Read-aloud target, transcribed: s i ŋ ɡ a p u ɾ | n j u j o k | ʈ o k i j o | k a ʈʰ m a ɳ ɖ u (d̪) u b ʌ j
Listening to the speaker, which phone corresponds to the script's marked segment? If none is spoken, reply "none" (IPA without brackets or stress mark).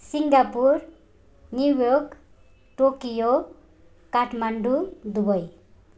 d̪